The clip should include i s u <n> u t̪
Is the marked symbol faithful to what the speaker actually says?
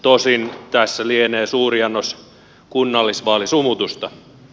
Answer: no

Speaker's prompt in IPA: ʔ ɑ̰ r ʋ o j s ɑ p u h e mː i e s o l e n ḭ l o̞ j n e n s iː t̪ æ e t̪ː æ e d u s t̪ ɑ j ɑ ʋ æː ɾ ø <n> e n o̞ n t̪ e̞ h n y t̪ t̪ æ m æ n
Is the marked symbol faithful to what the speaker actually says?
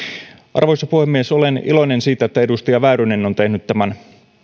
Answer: yes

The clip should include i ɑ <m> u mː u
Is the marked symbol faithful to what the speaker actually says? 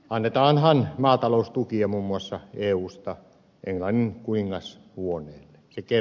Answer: yes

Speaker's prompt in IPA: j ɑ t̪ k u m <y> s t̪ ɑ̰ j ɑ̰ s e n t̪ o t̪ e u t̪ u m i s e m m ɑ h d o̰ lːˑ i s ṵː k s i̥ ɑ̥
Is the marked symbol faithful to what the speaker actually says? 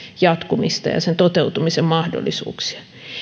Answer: no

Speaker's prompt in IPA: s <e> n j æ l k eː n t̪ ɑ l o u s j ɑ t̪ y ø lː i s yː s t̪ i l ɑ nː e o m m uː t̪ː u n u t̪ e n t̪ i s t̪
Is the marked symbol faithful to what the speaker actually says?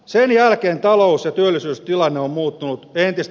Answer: yes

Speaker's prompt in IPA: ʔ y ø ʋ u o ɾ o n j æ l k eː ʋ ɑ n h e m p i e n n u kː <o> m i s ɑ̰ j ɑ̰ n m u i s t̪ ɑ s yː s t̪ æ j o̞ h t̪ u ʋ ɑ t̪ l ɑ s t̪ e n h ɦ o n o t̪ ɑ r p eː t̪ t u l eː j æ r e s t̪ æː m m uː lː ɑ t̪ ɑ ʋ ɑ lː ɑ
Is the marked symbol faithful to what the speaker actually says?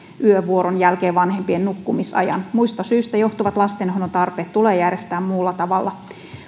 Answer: no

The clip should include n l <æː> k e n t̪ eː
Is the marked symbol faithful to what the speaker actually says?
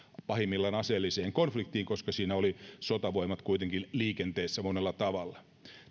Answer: no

